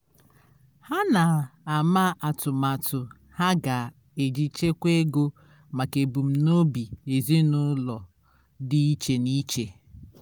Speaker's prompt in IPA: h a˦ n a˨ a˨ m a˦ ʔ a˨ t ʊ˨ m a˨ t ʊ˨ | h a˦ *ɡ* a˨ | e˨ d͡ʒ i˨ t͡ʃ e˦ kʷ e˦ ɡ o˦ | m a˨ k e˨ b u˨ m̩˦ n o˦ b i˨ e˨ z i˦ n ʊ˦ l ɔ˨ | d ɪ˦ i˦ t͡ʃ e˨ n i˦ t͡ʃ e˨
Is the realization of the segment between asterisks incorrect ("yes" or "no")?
no